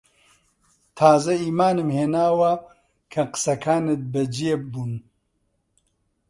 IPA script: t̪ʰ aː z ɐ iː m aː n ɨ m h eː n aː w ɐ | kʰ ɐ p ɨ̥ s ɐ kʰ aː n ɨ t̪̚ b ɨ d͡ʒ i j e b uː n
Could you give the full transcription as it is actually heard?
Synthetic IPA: t̪ʰ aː z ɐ iː m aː n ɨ m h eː n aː w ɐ | kʰ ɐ q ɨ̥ s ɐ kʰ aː n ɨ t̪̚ b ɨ d͡ʒ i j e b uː n